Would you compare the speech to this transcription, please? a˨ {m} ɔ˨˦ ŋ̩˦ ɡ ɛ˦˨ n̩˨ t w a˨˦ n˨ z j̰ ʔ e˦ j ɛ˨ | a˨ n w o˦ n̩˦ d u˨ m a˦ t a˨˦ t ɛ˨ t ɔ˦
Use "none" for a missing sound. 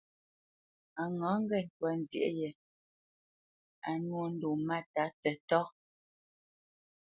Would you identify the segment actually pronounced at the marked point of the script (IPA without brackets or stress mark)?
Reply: ŋ